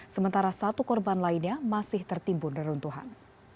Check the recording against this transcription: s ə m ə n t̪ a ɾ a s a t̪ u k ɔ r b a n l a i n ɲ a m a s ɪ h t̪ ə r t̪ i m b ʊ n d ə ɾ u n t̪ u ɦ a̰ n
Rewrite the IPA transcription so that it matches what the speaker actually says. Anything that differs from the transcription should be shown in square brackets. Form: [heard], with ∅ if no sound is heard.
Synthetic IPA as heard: s ə m ə n t̪ a ɾ a s a t̪ u k ɔ r b a n l a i n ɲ a m a s ɪ h t̪ ə r t̪ i m b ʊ n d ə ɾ u n t̪ u ɦ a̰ n

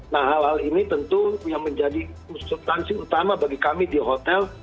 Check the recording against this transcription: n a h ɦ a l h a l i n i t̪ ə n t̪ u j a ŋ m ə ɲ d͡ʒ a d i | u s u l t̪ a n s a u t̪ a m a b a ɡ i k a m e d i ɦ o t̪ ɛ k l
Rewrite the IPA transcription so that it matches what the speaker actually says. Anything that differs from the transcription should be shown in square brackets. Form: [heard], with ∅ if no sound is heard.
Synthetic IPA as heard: n a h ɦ a l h a l i n i t̪ ə n t̪ u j a ŋ m ə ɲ d͡ʒ a d i | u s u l t̪ a n s [i] u t̪ a m a b a ɡ i k a m [i] d i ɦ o t̪ ɛ [∅] l

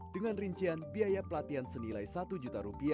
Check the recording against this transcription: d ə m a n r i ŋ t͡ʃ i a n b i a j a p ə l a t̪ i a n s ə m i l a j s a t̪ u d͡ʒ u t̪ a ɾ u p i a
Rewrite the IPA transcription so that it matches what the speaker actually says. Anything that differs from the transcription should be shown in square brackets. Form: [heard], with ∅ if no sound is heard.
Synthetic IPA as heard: d ə [ŋ] a n r i [ɲ] t͡ʃ i a n b i a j a p ə l a t̪ i a n s ə [n] i l a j s a t̪ u d͡ʒ u t̪ a ɾ u p i a

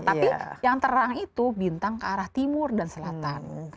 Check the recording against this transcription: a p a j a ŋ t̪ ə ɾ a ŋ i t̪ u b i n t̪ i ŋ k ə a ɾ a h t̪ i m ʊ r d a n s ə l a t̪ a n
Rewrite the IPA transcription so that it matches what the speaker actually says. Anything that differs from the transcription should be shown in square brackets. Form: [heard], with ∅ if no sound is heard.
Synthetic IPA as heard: a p [i] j a ŋ t̪ ə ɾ a ŋ i t̪ u b i n t̪ [a] ŋ k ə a ɾ a h t̪ i m ʊ r d a n s ə l a t̪ a n

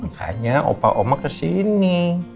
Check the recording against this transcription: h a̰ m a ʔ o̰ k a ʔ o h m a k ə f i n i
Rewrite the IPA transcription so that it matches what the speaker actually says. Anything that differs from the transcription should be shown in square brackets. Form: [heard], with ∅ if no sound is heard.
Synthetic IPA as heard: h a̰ [ɲ] a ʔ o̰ [p] a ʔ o [∅] m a k ə [s] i n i

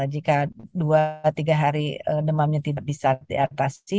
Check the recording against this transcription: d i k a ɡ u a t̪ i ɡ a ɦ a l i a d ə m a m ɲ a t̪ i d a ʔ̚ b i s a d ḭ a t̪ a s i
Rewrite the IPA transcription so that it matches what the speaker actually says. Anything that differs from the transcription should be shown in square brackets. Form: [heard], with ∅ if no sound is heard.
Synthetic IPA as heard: [d͡ʒ] i k a [d] u a t̪ i ɡ a ɦ a [ɾ] i [ə] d ə m a m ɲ a t̪ i d a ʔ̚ b i s a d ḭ a t̪ a s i

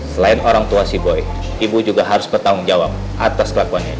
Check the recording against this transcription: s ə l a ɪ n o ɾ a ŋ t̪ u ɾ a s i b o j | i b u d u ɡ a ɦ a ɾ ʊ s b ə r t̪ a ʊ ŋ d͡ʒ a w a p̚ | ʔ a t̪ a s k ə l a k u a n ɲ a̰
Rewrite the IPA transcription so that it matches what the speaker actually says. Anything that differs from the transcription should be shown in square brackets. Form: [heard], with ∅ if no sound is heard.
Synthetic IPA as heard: s ə l a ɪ n o ɾ a ŋ t̪ u [∅] a s i b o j | i b u [d͡ʒ] u ɡ a ɦ a ɾ ʊ s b ə r t̪ a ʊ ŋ d͡ʒ a w a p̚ | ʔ a t̪ a s k ə l a k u a n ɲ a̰

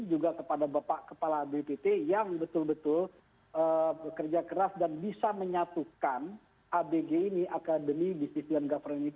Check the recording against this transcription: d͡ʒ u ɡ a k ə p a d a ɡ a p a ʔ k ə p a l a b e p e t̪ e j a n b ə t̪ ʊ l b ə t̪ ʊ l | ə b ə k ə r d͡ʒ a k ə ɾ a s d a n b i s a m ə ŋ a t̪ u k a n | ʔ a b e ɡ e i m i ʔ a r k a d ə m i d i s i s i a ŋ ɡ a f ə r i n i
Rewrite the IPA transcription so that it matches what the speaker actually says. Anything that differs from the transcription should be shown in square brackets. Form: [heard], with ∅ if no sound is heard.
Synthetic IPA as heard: d͡ʒ u ɡ a k ə p a d a [b] a p a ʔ k ə p a l a b e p e t̪ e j a [ŋ] b ə t̪ ʊ l b ə t̪ ʊ l | ə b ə k ə r d͡ʒ a k ə ɾ a s d a n b i s a m ə [ɲ] a t̪ u k a n | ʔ a b e ɡ e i [n] i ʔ a [∅] k a d ə m i d i s i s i a [n] ɡ a f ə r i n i

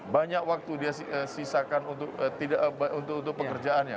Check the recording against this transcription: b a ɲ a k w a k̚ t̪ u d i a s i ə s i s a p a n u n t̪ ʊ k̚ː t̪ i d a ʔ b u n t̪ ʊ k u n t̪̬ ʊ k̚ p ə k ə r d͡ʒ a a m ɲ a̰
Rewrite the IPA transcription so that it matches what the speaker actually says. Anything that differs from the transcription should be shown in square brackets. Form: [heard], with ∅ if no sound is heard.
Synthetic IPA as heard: b a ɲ a k w a k̚ t̪ u d i a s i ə s i s a [k] a n u n t̪ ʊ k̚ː t̪ i d a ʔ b u n t̪ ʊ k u n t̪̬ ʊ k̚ p ə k ə r d͡ʒ a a [n] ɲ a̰

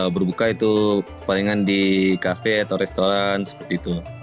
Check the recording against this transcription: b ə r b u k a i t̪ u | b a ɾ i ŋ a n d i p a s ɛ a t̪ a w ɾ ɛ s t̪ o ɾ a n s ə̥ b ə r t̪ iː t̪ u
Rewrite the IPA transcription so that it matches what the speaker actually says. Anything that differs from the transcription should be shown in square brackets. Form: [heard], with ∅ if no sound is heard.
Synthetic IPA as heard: b ə r b u k a i t̪ u | [p] a [l] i ŋ a n d i [k] a [f] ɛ a t̪ a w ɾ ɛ s t̪ o ɾ a n s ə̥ [p] ə r t̪ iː t̪ u

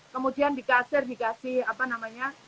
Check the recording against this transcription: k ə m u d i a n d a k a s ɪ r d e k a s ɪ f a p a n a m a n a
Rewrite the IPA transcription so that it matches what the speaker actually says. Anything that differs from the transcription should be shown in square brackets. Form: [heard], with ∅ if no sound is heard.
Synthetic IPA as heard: k ə m u d i a n d [i] k a s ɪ r d [i] k a s ɪ [h] a p a n a m a [ɲ] a

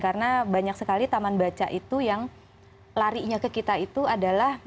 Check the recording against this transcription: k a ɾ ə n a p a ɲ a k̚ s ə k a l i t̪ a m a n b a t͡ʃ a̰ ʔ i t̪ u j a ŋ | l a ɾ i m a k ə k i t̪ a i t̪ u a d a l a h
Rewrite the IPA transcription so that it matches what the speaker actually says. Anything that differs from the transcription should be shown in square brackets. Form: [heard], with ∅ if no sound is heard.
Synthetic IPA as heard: k a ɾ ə n a [b] a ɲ a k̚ s ə k a l i t̪ a m a n b a t͡ʃ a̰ ʔ i t̪ u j a ŋ | l a ɾ i [ɲ] a k ə k i t̪ a i t̪ u a d a l a h

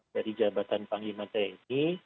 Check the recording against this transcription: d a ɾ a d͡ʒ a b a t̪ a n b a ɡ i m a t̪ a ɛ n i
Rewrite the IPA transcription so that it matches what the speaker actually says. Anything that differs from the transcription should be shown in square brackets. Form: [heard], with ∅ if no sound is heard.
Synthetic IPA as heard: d a ɾ [i] d͡ʒ a b a t̪ a n [p] a [ŋ] i m a t̪ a [i] n i

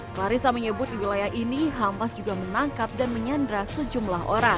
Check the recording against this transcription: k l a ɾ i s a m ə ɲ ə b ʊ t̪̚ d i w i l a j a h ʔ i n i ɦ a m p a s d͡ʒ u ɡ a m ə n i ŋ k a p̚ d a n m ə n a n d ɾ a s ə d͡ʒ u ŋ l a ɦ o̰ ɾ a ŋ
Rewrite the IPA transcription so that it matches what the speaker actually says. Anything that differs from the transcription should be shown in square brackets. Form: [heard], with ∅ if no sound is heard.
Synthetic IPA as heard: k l a ɾ i s a m ə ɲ ə b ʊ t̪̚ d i w i l a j a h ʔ i n i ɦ a m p a s d͡ʒ u ɡ a m ə n [a] ŋ k a p̚ d a n m ə [ɲ] a n d ɾ a s ə d͡ʒ u [m] l a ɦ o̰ ɾ a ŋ

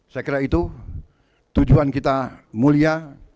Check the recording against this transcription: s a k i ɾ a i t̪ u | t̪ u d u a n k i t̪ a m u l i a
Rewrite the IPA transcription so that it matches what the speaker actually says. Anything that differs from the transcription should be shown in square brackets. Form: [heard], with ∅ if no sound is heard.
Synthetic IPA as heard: s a k i ɾ a i t̪ u | t̪ u [d͡ʒ] u a n k i t̪ a m u l i a

